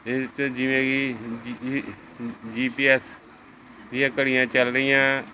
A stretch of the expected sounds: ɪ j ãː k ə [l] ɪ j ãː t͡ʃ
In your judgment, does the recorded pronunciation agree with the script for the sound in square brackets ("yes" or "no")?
no